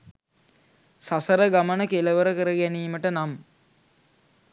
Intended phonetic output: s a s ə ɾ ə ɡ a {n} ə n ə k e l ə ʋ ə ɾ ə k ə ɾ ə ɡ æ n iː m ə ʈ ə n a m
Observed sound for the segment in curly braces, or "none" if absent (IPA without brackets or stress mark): m